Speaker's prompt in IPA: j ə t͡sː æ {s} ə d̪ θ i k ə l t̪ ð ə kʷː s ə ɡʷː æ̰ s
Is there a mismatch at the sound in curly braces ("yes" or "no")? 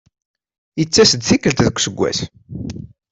no